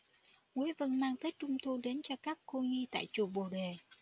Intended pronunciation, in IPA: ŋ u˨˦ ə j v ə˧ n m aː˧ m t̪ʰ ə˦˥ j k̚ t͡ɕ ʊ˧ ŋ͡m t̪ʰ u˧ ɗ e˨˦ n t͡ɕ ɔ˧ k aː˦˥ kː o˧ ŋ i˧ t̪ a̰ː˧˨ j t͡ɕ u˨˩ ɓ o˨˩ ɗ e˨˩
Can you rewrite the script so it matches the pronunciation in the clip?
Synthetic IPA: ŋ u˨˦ ə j v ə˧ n m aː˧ ŋ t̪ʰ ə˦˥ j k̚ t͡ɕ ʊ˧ ŋ͡m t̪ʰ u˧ ɗ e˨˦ n t͡ɕ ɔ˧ k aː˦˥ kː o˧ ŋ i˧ t̪ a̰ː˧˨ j t͡ɕ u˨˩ ɓ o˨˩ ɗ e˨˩